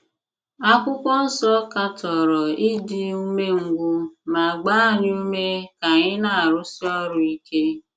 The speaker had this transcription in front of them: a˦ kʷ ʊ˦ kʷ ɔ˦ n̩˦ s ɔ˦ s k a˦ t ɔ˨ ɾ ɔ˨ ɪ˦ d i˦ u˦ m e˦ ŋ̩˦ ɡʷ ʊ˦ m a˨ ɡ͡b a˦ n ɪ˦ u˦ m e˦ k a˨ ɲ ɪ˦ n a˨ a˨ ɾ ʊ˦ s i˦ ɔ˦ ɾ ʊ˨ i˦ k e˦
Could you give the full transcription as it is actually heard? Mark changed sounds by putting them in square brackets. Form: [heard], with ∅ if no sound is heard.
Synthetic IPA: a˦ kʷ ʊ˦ kʷ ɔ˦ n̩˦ s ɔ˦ [∅] k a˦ t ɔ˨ ɾ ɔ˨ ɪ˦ d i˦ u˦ m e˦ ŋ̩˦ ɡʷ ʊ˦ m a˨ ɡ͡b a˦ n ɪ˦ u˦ m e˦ k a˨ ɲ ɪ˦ n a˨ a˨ ɾ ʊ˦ s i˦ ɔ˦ ɾ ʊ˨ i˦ k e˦